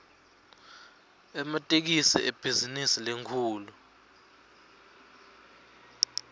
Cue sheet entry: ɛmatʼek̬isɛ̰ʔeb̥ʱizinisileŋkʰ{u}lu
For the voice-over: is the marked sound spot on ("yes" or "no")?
no